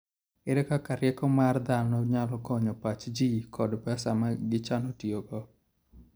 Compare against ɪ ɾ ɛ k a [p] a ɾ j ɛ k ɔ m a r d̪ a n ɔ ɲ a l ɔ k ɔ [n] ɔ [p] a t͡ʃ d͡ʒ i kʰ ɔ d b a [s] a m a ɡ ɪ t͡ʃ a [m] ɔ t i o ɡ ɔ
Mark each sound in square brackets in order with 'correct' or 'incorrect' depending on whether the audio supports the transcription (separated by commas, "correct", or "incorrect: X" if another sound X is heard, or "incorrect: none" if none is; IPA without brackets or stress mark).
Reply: incorrect: k, incorrect: ɲ, correct, correct, incorrect: n